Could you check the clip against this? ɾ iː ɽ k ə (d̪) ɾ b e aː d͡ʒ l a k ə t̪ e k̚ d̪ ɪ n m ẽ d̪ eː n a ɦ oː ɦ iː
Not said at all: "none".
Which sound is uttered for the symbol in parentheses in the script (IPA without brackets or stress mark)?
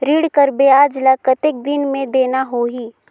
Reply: none